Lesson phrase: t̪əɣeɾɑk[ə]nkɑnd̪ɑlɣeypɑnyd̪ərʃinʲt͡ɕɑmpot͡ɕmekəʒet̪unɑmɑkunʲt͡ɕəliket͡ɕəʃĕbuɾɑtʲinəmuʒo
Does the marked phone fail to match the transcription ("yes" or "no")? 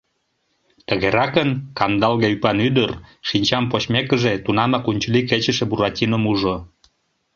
no